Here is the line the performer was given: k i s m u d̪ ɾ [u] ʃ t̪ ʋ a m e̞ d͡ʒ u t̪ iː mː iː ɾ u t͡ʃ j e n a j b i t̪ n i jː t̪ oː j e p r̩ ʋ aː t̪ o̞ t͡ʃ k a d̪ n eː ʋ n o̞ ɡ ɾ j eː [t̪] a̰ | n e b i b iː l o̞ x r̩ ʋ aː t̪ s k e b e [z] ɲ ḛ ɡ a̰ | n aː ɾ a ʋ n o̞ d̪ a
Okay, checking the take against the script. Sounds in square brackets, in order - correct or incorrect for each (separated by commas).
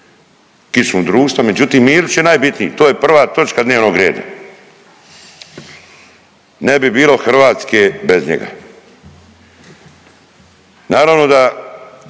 incorrect, incorrect, correct